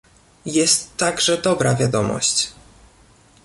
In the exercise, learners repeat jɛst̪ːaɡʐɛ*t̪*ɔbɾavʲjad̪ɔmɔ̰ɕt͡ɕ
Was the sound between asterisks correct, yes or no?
no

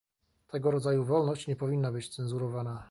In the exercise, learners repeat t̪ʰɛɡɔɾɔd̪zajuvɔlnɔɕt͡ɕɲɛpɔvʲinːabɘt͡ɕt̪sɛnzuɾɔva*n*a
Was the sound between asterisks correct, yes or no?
yes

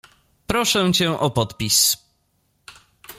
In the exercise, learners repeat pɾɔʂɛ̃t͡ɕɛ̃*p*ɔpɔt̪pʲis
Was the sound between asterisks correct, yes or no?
no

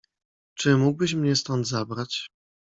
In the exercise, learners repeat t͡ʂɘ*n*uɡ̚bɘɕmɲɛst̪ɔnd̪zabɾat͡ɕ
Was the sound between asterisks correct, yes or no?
no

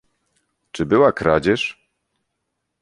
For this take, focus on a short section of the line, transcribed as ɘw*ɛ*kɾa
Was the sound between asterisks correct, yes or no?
no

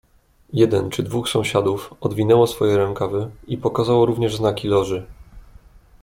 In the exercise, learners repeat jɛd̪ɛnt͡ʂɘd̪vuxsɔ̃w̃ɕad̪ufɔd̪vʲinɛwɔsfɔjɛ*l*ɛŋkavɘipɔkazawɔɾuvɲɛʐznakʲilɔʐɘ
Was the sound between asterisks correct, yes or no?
no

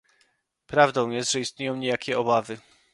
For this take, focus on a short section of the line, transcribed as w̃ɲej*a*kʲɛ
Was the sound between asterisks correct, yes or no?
yes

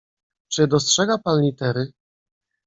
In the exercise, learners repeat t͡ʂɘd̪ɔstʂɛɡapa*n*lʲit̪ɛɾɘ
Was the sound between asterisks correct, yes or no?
yes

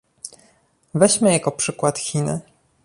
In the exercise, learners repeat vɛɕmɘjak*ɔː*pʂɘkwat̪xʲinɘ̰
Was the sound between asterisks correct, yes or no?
no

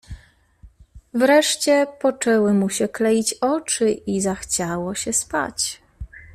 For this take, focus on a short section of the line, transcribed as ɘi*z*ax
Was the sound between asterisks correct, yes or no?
yes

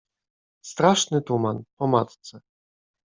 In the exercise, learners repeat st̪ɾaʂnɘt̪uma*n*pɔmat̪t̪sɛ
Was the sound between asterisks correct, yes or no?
yes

